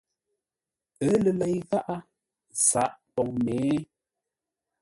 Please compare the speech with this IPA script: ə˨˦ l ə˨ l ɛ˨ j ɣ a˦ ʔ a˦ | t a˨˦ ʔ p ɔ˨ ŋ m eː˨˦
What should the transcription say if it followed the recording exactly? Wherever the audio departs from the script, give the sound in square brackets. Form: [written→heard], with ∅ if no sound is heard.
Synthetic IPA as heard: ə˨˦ l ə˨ l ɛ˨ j ɣ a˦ ʔ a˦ | [t→s] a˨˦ ʔ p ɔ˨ ŋ m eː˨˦